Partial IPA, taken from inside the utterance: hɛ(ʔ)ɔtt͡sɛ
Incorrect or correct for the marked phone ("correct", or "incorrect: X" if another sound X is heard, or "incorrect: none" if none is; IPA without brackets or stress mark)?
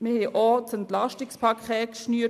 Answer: correct